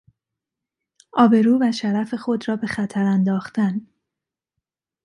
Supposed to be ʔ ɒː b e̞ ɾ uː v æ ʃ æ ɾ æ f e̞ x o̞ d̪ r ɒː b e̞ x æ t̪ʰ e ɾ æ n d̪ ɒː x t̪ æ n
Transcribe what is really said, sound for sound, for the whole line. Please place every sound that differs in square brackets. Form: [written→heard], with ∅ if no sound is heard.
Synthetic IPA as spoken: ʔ ɒː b e̞ ɾ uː v æ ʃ æ ɾ æ f e̞ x o̞ d̪ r ɒː b e̞ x æ t̪ʰ [e→æ] ɾ æ n d̪ ɒː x t̪ æ n